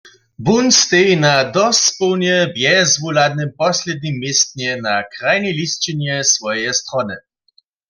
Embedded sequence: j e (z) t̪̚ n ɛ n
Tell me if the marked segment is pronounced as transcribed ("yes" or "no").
no